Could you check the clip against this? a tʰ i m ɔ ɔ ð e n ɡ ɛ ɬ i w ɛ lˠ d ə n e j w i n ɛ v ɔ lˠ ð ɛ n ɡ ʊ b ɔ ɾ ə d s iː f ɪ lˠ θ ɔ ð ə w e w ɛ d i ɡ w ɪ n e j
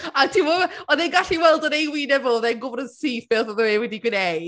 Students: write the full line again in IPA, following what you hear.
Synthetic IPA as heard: a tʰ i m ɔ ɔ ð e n ɡ a ɬ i w ɛ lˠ d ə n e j w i n ɛ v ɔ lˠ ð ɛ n ɡ ʊ b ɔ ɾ ə n s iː f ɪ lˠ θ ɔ ð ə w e w ɛ d i ɡ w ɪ n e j